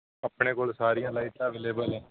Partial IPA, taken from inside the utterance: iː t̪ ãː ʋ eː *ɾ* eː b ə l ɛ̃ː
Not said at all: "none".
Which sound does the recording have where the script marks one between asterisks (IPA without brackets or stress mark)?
l